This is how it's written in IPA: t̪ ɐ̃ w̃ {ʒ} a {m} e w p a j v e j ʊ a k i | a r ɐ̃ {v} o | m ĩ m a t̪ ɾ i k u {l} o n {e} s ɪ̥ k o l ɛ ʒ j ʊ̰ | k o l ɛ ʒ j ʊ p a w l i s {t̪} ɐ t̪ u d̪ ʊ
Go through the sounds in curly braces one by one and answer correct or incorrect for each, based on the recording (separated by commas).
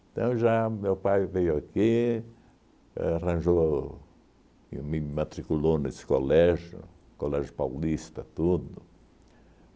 correct, correct, incorrect, correct, correct, correct